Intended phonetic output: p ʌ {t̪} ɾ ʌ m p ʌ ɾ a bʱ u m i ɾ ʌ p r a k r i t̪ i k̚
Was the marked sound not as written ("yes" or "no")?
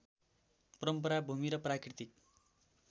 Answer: yes